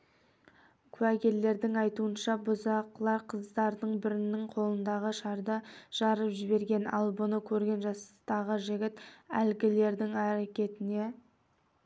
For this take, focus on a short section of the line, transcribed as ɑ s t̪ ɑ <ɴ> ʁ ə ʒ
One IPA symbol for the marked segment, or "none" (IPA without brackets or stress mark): none